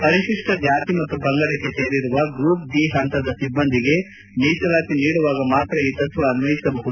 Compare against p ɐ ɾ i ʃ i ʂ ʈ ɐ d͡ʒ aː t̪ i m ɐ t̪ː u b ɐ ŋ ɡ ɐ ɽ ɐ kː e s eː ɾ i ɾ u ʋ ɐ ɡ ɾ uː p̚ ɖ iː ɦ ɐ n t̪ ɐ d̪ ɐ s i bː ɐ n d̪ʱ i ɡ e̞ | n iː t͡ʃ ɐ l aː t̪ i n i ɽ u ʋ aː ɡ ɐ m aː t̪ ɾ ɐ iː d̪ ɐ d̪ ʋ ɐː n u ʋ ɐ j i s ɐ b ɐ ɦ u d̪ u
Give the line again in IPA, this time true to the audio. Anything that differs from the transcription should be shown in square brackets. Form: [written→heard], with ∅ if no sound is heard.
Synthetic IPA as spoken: p ɐ ɾ i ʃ i ʂ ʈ ɐ d͡ʒ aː t̪ i m ɐ t̪ː u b ɐ ŋ ɡ ɐ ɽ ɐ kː e s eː ɾ i ɾ u ʋ ɐ ɡ ɾ uː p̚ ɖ iː ɦ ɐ n t̪ ɐ d̪ ɐ s i bː ɐ n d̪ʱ i ɡ e̞ | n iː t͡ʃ ɐ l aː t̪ i n [i→iː] ɽ u ʋ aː ɡ ɐ m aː t̪ ɾ ɐ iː [d̪→t̪] ɐ [d̪→t̪] ʋ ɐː n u ʋ ɐ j i s ɐ b ɐ ɦ u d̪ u

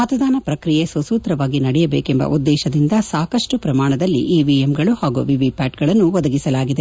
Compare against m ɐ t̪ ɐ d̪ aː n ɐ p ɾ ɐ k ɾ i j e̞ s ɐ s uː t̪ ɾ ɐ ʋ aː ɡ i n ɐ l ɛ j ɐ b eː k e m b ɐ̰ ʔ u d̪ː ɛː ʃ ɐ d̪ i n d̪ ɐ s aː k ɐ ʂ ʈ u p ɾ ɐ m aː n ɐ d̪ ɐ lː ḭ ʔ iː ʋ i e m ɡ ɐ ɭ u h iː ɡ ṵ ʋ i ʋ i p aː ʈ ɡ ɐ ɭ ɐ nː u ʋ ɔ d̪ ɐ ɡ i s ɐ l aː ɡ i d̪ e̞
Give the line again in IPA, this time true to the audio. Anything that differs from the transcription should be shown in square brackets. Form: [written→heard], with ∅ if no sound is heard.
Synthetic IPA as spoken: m ɐ t̪ ɐ d̪ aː n ɐ p ɾ ɐ k ɾ i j e̞ s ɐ s uː t̪ ɾ ɐ ʋ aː ɡ i n ɐ [l→ɽ] ɛ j ɐ b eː k e m b ɐ̰ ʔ u d̪ː ɛː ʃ ɐ d̪ i n d̪ ɐ s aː k ɐ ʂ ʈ u p ɾ ɐ m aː [n→ɳ] ɐ d̪ ɐ lː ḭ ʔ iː ʋ i e m ɡ ɐ ɭ u h [iː→aː] ɡ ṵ ʋ i ʋ i p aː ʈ ɡ ɐ ɭ ɐ nː u ʋ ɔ d̪ ɐ ɡ i s ɐ l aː ɡ i d̪ e̞

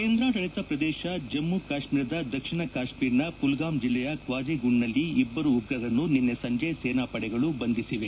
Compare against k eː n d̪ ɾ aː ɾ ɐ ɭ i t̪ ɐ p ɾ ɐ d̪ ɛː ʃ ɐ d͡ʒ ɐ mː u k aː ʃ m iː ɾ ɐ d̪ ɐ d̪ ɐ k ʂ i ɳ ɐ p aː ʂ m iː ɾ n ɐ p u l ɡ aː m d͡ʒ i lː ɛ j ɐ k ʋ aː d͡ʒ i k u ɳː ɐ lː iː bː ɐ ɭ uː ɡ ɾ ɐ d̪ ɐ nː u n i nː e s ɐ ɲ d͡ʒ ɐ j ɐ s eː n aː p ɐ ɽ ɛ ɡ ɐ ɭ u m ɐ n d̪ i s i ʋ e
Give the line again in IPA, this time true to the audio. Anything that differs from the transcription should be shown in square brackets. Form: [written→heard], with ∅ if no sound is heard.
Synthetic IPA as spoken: k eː n d̪ ɾ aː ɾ ɐ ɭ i t̪ ɐ p ɾ ɐ d̪ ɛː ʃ ɐ d͡ʒ ɐ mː u k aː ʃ m iː ɾ ɐ d̪ ɐ d̪ ɐ k ʂ i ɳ ɐ [p→k] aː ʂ m iː ɾ n ɐ p u l ɡ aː m d͡ʒ i lː ɛ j ɐ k ʋ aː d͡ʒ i [k→ɡ] u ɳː ɐ lː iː bː ɐ [ɭ→ɾ] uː ɡ ɾ ɐ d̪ ɐ nː u n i nː e s ɐ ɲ d͡ʒ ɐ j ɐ s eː n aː p ɐ ɽ ɛ ɡ ɐ ɭ u [m→b] ɐ n d̪ i s i ʋ e

